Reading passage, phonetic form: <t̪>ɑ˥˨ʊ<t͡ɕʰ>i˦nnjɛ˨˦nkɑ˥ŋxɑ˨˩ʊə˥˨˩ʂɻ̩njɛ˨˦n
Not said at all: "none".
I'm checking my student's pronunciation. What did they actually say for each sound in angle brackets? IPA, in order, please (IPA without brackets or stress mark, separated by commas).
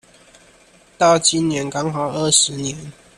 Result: t̪, t͡ɕ